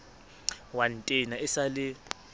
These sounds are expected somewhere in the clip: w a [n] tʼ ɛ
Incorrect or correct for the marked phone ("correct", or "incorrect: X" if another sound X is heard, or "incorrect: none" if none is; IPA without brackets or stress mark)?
correct